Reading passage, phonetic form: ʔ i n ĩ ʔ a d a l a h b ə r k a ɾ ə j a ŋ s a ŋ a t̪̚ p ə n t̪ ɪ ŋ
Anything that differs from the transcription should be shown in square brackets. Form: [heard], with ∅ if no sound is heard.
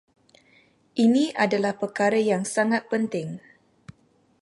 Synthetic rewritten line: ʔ i n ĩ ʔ a d a l a h [p] ə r k a ɾ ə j a ŋ s a ŋ a t̪̚ p ə n t̪ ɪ ŋ